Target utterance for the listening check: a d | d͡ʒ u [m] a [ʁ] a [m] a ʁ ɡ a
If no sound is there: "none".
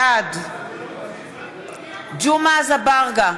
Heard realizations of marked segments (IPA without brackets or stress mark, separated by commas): m, z, b